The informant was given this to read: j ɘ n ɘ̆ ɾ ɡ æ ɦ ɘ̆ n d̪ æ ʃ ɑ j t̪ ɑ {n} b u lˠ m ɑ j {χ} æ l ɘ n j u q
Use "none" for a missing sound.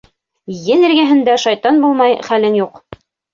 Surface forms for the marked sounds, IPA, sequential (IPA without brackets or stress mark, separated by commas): n, χ